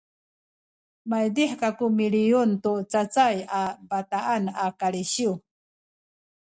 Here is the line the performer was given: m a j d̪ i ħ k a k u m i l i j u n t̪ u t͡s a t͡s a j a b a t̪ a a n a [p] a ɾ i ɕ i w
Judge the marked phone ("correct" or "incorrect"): incorrect